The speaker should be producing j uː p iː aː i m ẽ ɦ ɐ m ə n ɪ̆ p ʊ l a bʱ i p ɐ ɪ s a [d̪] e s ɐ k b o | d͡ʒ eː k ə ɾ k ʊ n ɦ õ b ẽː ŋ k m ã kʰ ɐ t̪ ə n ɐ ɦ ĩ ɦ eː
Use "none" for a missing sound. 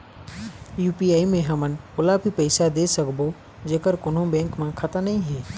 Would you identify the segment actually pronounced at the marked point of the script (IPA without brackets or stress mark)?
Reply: d̪